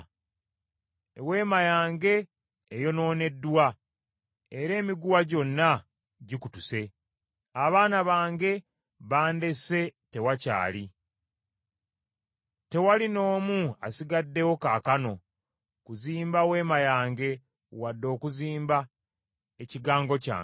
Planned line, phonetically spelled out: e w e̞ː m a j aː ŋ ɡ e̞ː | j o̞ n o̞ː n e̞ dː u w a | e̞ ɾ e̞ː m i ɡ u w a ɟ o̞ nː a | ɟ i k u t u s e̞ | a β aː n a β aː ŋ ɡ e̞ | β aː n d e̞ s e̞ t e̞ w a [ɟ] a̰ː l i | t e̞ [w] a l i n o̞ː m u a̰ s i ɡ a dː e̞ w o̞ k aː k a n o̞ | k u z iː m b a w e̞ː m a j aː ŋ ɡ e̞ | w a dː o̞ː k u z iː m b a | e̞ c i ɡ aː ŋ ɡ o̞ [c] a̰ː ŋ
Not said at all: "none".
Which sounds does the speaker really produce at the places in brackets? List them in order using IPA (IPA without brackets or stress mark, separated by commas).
c, w, c